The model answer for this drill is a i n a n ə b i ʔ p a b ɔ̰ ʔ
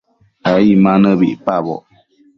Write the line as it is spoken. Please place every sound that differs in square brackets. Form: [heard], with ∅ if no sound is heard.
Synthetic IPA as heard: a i [m] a n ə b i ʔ p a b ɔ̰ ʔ